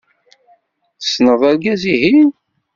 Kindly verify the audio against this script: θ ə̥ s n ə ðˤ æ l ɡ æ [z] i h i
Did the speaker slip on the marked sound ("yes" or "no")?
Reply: no